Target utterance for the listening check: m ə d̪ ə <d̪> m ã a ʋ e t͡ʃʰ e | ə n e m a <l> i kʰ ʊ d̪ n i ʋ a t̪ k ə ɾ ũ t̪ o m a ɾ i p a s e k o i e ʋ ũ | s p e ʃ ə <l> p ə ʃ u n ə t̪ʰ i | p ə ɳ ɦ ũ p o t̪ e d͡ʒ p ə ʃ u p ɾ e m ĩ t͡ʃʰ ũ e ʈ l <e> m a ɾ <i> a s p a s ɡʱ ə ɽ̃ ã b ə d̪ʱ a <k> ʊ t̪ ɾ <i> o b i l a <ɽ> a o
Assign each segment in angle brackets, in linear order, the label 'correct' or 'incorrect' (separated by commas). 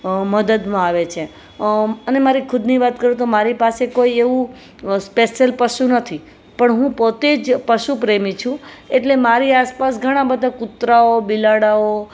correct, incorrect, correct, correct, correct, correct, incorrect, correct